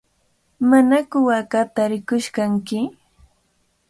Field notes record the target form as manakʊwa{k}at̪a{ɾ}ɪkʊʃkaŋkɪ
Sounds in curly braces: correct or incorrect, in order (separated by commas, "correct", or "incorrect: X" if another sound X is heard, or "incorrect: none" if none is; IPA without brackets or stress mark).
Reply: correct, correct